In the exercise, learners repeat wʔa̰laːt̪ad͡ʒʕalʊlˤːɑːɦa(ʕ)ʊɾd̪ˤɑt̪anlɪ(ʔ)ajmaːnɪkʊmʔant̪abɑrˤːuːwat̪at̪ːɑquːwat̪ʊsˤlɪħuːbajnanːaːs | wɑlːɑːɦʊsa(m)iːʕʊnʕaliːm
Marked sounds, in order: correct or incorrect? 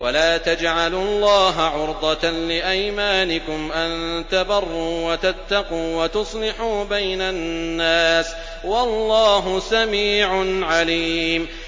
correct, correct, correct

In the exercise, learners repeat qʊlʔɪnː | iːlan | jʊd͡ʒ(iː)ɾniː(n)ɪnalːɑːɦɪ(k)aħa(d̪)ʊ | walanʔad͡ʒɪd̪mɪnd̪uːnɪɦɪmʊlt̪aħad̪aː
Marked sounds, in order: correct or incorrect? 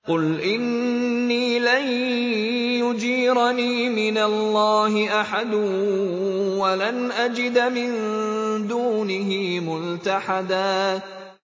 correct, incorrect: m, incorrect: ʔ, correct

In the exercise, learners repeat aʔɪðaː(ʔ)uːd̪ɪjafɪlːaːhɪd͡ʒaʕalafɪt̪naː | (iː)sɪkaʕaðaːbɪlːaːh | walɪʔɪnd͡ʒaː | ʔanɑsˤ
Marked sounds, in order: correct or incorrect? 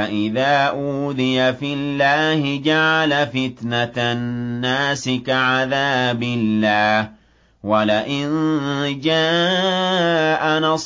correct, incorrect: aː

